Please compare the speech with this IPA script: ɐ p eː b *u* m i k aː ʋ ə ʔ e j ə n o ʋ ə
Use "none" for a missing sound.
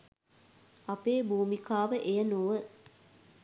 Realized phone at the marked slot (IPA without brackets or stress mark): uː